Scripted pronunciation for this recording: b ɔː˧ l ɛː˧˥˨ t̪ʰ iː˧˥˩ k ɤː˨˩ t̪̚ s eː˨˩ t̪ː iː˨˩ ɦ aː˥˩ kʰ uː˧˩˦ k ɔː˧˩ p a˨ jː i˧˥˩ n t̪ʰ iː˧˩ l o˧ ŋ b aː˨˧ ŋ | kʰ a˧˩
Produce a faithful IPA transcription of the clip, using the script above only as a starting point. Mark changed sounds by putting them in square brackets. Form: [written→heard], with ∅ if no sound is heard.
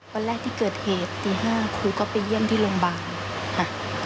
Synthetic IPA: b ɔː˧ l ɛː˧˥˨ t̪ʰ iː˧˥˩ k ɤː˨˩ t̪̚ [s→h] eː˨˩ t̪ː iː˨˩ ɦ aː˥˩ kʰ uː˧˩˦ k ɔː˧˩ p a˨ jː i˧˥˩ n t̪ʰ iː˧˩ l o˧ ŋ b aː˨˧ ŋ | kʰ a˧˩